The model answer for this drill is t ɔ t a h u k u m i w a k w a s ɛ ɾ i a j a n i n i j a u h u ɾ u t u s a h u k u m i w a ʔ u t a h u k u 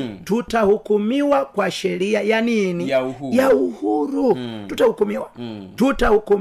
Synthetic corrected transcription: t u t a h u k u m i w a k w a ʃ ɛ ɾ i a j a n i n i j a u h u ɾ u t u t a h u k u m i w a t u t a h u k u